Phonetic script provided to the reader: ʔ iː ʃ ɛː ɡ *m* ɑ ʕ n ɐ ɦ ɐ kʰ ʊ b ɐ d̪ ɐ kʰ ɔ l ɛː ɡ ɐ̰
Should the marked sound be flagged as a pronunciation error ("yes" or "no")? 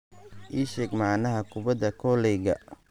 no